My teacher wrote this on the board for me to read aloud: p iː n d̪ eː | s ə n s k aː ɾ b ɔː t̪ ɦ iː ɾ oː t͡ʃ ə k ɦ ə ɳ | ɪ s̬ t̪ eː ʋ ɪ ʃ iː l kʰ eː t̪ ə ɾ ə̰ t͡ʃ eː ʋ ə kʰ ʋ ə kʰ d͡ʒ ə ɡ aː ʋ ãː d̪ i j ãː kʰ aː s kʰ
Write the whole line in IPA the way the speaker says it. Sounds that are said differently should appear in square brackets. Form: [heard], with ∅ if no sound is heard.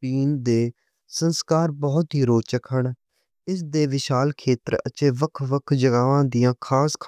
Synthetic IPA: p iː n d̪ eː | s ə n s k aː ɾ b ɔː t̪ ɦ iː ɾ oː t͡ʃ ə k ɦ ə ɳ | ɪ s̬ [d̪] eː ʋ ɪ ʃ [aː] l kʰ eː t̪ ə ɾ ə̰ t͡ʃ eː ʋ ə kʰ ʋ ə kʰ d͡ʒ ə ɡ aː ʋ ãː d̪ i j ãː kʰ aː s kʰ